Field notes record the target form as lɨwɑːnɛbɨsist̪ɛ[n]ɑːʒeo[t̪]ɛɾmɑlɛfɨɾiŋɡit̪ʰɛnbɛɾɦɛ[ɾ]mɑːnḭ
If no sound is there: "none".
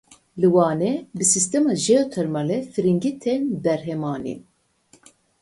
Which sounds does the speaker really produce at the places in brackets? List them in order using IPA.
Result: m, t̪ʰ, none

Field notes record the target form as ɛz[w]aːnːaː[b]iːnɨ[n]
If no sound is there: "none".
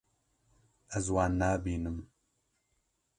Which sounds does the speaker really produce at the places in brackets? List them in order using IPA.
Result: w, b, m

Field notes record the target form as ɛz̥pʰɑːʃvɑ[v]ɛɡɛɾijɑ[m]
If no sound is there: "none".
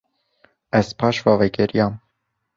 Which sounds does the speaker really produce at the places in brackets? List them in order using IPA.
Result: v, m

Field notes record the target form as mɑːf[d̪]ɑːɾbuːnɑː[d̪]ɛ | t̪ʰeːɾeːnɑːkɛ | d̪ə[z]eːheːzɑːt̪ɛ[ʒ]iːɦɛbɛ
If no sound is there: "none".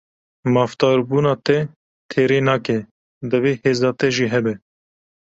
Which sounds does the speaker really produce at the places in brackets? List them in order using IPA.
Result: t̪, t̪, v, ʒ

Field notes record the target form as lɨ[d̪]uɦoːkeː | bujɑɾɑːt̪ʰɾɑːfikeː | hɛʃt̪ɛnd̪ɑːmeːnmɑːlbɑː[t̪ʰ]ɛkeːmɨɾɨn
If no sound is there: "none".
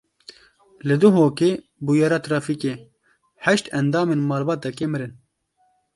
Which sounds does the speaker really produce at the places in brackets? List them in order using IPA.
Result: d̪, t̪

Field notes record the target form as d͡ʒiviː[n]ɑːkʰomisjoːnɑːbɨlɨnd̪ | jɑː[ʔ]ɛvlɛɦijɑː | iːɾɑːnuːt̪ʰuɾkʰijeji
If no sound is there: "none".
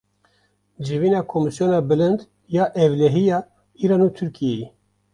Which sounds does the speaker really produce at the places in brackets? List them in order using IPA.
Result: n, ʔ

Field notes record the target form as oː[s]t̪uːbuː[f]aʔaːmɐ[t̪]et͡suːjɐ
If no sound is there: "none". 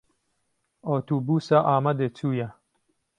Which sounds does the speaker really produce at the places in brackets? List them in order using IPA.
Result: none, s, d̪

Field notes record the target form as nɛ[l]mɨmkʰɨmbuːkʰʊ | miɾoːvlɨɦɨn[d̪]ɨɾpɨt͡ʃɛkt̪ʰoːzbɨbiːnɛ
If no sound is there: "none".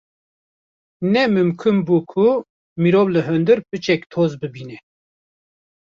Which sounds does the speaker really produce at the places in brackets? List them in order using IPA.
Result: none, d̪

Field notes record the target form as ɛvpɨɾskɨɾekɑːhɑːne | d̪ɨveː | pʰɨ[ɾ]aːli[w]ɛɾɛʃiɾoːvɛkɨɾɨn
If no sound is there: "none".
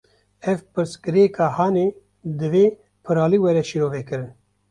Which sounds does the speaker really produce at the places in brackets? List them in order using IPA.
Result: ɾ, w

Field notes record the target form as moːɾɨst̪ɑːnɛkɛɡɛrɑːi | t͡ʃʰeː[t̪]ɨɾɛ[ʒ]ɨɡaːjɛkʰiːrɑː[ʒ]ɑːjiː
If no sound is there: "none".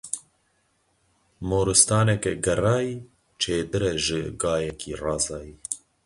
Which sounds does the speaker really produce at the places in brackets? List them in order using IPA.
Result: d̪, ʒ, z

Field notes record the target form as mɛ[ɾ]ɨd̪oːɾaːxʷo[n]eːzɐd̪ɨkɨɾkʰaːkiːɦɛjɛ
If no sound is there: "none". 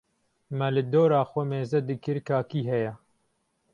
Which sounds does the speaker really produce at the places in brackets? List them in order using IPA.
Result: l, m

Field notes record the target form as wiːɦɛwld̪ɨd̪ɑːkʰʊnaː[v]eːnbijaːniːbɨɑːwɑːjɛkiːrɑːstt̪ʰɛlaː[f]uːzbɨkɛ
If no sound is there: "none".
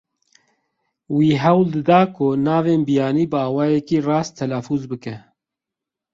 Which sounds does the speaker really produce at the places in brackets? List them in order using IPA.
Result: v, f

